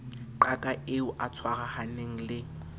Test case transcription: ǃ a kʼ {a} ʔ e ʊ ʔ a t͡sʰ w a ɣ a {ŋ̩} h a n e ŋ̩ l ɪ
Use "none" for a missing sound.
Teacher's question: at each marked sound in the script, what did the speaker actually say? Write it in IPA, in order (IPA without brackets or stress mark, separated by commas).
a, none